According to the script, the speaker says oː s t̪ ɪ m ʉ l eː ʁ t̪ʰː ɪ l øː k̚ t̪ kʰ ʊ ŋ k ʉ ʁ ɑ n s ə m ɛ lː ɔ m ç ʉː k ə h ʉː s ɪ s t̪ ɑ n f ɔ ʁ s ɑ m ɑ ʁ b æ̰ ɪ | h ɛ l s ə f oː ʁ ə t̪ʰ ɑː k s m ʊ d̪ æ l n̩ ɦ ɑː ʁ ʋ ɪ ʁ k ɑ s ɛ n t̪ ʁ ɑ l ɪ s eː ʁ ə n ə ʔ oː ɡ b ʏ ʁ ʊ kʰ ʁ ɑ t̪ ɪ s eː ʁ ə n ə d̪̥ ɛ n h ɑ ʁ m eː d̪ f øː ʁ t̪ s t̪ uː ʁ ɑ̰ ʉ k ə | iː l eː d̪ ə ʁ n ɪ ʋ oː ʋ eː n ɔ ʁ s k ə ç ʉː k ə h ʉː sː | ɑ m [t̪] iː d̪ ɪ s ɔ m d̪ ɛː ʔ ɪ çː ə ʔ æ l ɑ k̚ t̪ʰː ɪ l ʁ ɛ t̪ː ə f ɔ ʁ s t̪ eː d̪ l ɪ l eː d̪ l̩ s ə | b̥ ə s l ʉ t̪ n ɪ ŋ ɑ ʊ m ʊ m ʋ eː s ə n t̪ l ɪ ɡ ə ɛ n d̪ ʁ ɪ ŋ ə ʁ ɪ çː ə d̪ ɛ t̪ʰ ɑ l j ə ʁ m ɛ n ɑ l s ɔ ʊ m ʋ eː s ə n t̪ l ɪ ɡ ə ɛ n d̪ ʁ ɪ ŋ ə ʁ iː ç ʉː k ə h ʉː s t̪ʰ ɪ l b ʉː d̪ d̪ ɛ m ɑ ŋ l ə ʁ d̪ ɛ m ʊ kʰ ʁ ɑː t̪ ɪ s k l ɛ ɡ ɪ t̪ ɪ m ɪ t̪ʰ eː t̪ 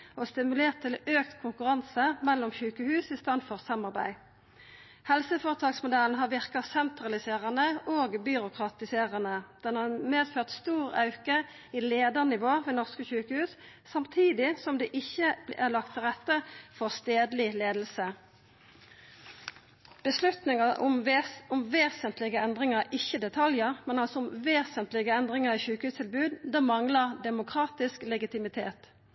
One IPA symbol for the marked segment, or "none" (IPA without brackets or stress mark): t̪ʰ